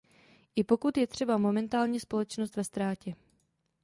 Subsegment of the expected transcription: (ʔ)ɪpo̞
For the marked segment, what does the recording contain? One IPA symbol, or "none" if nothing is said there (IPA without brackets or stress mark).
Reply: ʔ